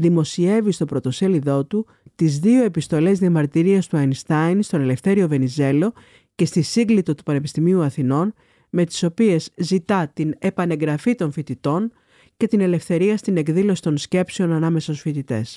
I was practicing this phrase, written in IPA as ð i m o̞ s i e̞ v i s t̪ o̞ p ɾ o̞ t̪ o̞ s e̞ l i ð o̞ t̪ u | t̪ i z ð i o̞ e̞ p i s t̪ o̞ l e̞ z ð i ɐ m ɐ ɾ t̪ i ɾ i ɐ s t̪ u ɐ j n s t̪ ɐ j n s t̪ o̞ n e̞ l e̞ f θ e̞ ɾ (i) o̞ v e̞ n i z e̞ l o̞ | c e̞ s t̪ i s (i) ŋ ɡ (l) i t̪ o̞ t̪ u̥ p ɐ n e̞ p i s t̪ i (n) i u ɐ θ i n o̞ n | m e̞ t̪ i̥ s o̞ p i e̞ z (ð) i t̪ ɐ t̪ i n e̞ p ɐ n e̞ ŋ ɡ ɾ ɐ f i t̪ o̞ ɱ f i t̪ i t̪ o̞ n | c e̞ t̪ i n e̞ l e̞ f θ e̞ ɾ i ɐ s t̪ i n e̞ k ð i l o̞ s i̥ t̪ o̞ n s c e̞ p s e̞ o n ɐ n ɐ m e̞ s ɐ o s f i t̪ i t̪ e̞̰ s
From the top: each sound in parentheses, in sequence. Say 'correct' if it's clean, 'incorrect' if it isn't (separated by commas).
correct, correct, correct, incorrect, incorrect